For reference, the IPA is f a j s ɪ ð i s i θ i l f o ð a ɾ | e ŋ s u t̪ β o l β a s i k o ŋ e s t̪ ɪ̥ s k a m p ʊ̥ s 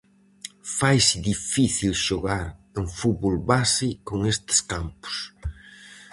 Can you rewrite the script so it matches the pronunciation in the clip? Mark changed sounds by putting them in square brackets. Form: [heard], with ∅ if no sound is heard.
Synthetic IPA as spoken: f a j s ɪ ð i [f] i θ i l [ʃ] o [ɣ] a ɾ | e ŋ [f] u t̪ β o l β a s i k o ŋ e s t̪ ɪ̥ s k a m p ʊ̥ s